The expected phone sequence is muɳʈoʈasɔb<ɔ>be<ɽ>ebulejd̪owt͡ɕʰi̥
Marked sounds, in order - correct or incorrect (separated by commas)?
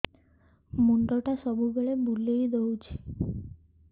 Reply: incorrect, incorrect